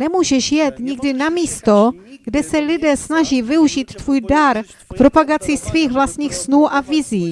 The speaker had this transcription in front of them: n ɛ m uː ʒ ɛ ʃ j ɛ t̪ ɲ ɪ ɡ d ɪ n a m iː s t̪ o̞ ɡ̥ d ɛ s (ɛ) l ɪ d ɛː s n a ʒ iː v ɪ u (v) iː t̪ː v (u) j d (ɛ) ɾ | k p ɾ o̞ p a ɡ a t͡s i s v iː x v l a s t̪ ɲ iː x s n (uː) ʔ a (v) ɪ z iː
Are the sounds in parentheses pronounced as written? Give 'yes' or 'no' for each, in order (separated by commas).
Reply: yes, no, no, no, yes, yes